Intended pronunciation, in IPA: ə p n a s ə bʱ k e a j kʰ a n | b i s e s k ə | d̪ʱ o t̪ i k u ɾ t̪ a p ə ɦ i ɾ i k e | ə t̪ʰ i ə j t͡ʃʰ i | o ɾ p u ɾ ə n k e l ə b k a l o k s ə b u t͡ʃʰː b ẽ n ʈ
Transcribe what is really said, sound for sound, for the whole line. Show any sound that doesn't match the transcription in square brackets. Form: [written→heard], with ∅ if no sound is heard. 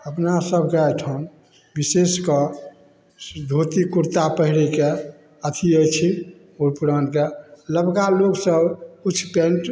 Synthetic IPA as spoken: ə p n a s ə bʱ k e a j [kʰ→ʈʰ] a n | b i s e s k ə | d̪ʱ o t̪ i k u ɾ t̪ a p ə ɦ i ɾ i k e | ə t̪ʰ i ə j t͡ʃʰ i | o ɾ p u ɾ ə n k e l ə b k a l o k s ə b u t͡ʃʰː [b→p] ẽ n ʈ